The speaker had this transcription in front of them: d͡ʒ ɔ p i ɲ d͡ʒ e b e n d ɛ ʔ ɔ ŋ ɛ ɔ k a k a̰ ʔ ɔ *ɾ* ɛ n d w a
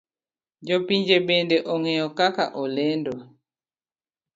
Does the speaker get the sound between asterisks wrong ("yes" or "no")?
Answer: yes